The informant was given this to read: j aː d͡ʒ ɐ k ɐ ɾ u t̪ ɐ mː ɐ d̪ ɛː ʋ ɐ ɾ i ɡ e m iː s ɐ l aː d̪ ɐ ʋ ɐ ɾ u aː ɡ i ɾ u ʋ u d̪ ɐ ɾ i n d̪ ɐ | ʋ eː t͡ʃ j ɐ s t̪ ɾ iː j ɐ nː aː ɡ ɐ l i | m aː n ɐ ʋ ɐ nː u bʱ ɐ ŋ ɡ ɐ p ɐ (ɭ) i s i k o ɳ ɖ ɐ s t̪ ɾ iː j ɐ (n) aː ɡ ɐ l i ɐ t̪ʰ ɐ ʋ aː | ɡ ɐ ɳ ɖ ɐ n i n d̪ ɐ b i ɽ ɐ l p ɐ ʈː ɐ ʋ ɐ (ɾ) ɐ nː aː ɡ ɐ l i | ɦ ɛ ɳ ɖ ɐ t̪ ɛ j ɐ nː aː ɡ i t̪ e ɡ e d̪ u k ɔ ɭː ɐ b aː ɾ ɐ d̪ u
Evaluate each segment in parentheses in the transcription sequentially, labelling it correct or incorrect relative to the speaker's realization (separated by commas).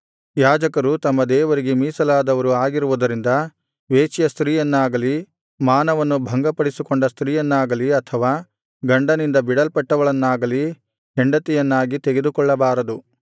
incorrect, incorrect, incorrect